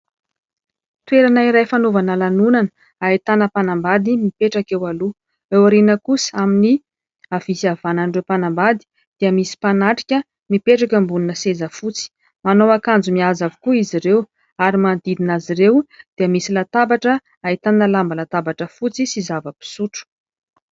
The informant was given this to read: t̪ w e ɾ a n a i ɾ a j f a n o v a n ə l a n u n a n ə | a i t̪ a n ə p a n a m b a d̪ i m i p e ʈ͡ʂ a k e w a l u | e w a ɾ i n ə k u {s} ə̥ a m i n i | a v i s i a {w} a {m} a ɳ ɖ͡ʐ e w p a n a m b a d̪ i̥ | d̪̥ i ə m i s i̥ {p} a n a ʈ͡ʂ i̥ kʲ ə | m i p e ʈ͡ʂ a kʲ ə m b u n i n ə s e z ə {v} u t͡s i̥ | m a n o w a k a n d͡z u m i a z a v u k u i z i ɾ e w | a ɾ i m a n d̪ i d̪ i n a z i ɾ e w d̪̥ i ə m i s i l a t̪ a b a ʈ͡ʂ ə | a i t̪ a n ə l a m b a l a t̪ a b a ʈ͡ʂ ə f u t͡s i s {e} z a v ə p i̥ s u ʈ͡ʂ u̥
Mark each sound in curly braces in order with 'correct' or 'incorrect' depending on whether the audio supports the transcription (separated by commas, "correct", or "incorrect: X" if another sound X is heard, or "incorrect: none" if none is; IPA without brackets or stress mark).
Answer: correct, incorrect: v, incorrect: n, correct, incorrect: f, incorrect: i